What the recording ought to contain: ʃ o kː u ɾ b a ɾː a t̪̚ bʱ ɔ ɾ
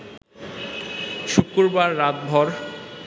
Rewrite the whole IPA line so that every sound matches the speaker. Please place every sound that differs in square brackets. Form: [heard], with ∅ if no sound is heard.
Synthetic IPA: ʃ [u] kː u ɾ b a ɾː a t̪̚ bʱ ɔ ɾ